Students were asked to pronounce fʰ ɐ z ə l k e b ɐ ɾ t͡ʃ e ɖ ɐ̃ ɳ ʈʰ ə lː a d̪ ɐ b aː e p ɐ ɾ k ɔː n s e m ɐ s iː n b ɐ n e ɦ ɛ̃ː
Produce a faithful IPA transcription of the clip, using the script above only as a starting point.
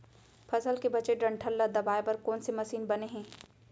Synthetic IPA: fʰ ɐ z ə l k e b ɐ t͡ʃ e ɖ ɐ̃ ɳ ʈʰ ə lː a d̪ ɐ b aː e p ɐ ɾ k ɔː n s e m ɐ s iː n b ɐ n e ɦ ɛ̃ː

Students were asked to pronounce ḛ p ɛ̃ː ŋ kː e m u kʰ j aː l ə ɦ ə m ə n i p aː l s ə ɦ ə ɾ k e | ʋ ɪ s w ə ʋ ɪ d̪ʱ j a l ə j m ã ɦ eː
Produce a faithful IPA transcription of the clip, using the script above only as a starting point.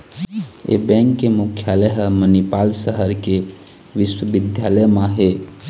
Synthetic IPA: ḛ b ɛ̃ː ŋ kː e m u kʰ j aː l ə ɦ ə m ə n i p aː l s ə ɦ ə ɾ k e | ʋ ɪ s w ə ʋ ɪ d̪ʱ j a l ə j m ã ɦ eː

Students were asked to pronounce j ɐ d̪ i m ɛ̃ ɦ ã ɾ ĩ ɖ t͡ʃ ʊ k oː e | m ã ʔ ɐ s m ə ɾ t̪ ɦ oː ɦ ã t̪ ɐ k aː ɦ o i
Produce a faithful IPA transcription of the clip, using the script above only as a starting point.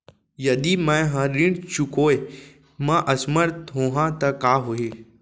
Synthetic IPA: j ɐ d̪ i m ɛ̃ ɦ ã ɾ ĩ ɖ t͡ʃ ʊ k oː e | m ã ʔ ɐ s m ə ɾ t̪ ɦ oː ɦ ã t̪ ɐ k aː ɦ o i

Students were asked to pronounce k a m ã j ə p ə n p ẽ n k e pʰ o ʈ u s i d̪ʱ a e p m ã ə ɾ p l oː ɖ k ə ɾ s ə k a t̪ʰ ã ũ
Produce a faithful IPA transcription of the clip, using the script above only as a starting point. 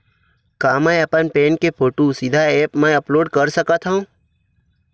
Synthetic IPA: k a m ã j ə p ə n p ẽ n k e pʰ o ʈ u s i d̪ʱ a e p m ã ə p l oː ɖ k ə ɾ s ə k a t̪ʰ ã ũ

